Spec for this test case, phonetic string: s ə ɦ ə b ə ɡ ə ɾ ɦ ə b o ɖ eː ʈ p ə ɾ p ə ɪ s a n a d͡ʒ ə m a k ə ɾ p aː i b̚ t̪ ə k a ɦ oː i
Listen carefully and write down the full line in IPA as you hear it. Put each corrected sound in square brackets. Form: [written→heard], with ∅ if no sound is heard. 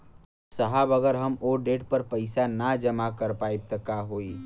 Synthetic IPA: s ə ɦ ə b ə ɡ ə ɾ ɦ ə [b→m] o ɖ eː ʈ p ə ɾ p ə ɪ s a n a d͡ʒ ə m a k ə ɾ p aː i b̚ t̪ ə k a ɦ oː i